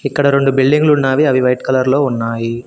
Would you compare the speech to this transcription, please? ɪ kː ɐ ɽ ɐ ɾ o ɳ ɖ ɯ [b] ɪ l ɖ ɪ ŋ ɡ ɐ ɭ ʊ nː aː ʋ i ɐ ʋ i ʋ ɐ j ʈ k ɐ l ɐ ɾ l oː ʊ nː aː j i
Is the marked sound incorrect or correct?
correct